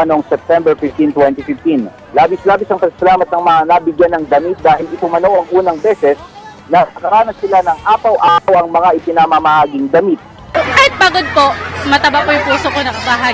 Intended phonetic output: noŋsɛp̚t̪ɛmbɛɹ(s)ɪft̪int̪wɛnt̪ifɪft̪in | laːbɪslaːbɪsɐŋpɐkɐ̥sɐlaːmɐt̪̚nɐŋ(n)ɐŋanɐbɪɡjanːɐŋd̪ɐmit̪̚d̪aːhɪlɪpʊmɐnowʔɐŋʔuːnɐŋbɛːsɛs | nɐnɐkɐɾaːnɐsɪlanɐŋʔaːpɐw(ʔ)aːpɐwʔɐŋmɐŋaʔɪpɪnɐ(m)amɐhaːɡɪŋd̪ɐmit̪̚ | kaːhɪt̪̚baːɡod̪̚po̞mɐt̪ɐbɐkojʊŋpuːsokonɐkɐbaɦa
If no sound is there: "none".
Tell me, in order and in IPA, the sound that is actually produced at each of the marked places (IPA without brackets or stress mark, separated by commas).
f, m, ʔ, m